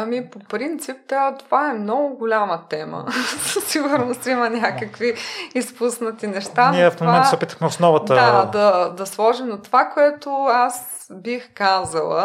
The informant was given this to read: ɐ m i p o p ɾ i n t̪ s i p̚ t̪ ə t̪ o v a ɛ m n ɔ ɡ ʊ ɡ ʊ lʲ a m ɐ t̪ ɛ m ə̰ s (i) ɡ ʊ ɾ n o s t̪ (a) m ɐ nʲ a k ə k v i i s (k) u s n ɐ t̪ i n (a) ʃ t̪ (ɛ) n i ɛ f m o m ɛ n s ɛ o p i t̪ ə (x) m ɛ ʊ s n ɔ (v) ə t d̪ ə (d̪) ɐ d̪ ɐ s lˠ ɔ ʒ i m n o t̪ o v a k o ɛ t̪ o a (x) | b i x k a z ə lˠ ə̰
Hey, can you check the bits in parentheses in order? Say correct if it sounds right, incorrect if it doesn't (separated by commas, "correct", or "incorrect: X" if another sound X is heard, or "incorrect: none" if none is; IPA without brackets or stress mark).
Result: correct, incorrect: i, incorrect: p, incorrect: ɛ, incorrect: a, correct, correct, correct, incorrect: s